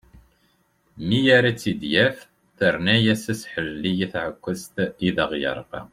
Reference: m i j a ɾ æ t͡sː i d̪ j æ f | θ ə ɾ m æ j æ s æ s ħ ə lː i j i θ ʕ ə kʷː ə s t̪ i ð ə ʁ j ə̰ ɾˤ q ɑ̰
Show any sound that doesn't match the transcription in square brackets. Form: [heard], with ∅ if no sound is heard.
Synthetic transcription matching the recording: m i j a ɾ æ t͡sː i d̪ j æ f | θ ə ɾ [n] æ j æ s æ s ħ ə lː i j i θ ʕ ə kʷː ə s t̪ i ð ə ʁ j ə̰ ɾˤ q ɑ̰